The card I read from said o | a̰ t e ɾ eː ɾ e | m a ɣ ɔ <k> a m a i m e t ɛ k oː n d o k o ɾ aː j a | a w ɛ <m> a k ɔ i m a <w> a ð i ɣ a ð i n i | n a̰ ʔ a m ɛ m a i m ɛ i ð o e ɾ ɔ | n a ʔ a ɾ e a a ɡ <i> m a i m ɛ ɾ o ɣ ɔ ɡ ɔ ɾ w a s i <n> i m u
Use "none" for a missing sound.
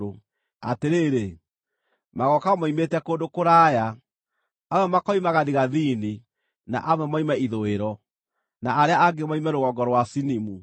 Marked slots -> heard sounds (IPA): k, m, ɣ, e, n

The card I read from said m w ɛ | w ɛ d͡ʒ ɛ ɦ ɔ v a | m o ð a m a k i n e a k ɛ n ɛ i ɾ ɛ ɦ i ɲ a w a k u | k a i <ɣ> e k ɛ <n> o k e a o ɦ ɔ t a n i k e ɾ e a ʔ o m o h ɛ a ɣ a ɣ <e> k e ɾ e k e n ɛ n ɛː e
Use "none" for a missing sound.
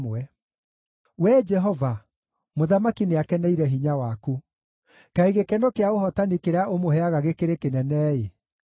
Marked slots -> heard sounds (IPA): ɣ, n, e

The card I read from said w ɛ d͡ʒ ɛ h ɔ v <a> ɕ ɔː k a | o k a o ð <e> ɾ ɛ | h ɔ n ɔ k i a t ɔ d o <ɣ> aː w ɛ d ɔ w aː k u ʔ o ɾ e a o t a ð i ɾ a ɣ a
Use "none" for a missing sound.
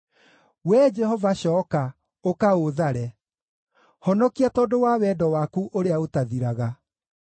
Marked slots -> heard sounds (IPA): a, a, w

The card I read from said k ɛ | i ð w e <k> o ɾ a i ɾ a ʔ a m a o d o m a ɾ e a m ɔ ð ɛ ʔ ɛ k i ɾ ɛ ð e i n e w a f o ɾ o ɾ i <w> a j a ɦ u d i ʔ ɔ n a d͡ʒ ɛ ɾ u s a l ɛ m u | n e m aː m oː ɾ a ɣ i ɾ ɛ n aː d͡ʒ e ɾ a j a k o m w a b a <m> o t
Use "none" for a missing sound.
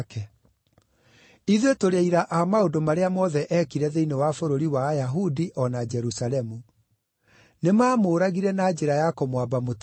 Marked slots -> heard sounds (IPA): t, w, m

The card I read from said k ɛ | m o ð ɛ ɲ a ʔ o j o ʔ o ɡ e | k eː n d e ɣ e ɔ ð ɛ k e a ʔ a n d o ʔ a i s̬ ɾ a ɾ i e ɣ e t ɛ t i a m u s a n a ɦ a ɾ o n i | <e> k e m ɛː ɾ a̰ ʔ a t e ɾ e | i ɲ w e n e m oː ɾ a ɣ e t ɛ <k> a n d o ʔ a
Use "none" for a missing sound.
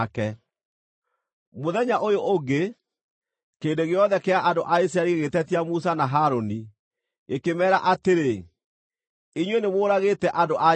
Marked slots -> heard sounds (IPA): e, ʔ

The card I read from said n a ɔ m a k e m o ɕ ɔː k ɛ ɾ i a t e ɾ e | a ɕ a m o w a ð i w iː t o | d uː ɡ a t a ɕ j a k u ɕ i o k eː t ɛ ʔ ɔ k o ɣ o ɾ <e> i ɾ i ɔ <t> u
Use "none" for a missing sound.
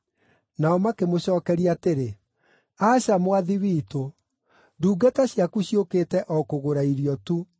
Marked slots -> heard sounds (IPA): a, t

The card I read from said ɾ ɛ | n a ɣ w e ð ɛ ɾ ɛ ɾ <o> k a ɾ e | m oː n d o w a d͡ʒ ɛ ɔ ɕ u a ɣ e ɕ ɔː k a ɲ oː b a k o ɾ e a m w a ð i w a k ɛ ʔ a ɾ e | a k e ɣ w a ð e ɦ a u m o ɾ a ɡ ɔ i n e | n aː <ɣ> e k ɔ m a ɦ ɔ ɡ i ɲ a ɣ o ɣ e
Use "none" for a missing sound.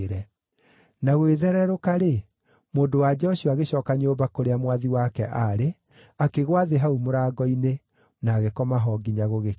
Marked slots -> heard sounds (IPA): o, ɣ

